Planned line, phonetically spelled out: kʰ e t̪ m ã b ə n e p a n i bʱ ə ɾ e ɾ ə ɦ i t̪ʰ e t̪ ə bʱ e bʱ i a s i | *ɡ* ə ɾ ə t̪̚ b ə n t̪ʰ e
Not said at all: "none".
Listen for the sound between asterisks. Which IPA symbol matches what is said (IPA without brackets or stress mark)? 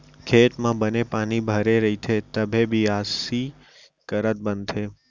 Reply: k